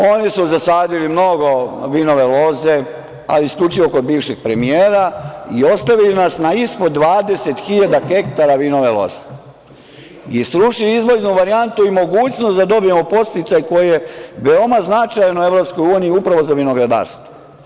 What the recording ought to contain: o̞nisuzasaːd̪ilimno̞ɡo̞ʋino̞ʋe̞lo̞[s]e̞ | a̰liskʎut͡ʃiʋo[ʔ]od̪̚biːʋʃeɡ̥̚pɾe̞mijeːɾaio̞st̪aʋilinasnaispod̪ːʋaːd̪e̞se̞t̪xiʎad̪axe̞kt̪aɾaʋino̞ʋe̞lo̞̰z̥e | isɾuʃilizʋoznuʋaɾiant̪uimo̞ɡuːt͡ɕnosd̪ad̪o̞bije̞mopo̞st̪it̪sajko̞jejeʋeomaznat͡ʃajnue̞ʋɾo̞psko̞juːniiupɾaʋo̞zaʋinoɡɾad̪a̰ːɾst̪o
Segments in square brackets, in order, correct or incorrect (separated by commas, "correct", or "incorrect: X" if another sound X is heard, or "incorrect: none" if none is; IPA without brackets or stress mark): incorrect: z, incorrect: k